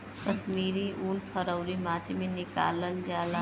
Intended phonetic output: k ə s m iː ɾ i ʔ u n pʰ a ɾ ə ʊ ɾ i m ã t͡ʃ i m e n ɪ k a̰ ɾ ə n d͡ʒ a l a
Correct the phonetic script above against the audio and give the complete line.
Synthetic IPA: k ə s m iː ɾ i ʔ u n pʰ ə ɾ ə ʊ ɾ i m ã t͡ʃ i m e n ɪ k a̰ l ə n d͡ʒ a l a